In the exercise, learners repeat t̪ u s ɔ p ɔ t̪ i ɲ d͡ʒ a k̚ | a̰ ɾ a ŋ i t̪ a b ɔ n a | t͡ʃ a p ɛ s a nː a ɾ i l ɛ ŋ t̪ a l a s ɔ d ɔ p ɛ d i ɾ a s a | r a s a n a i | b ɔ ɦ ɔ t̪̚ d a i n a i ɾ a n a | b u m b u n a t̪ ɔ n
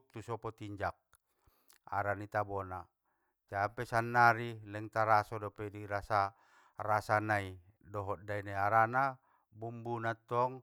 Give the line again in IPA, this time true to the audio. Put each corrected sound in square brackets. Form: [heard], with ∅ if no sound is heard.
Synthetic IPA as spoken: t̪ u s ɔ p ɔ t̪ i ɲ d͡ʒ a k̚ | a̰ ɾ a [n] i t̪ a b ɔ n a | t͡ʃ a p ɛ s a nː a ɾ i l ɛ ŋ t̪ a [ɾ] a s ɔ d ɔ p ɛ d i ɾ a s a | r a s a n a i | [d] ɔ ɦ ɔ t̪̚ d a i n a [a] ɾ a n a | b u m b u n a t̪ ɔ [ŋ]

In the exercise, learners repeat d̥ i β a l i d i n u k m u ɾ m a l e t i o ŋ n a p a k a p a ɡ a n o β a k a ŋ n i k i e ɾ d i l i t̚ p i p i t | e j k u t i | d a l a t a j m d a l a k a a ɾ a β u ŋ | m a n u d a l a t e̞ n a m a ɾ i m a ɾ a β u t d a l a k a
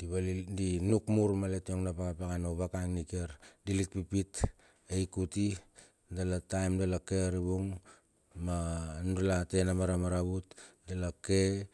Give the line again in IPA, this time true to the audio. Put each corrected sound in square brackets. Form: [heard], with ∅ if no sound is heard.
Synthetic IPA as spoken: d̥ i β a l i d i n u k m u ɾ m a l e t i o ŋ n a p a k a p a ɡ a n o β a k a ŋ n i k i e ɾ d i l i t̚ p i p i t | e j k u t i | d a l a t a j m d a l a k [e] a ɾ [i] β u ŋ | m a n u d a l a t e̞ n a m a ɾ [a] m a ɾ a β u t d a l a k [e]

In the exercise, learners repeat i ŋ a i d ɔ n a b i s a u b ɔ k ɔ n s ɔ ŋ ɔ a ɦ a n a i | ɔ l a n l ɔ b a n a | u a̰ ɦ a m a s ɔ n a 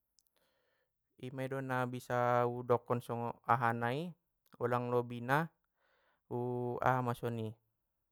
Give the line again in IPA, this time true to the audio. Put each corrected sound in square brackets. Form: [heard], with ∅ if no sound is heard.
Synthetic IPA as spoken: i [m] a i d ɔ n a b i s a u [d] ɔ k ɔ n s ɔ ŋ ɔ a ɦ a n a i | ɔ l a [ŋ] l ɔ b [i] n a | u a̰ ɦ a m a s ɔ n [i]

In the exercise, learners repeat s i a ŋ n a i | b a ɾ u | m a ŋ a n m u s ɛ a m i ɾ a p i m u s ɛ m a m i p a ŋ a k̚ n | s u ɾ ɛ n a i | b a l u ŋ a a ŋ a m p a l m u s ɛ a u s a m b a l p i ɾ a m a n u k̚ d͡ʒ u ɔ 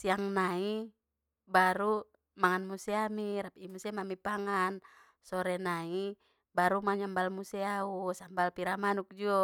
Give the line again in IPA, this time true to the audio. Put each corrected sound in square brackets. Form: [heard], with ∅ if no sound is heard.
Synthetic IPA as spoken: s i a ŋ n a i | b a ɾ u | m a ŋ a n m u s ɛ a m i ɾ a p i m u s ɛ m a m i p a ŋ a [∅] n | s [ɔ] ɾ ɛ n a i | b a [ɾ] u [m] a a [ɲ] a m [b] a l m u s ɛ a u s a m b a l p i ɾ a m a n u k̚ d͡ʒ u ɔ

